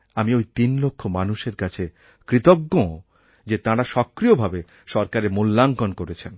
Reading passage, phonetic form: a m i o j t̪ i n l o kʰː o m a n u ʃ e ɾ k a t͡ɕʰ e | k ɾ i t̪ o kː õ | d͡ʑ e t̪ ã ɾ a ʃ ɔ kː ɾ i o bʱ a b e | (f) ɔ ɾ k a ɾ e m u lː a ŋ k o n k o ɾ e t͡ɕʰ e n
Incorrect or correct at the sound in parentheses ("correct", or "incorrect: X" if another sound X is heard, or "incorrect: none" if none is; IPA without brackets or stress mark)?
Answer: incorrect: ʃ